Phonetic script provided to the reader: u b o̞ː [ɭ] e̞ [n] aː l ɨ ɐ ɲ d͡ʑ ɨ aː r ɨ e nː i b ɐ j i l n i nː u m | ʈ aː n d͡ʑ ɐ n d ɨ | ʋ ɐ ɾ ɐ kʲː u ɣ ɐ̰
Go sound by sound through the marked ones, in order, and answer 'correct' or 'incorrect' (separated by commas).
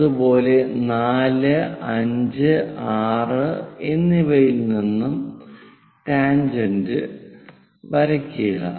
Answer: incorrect, correct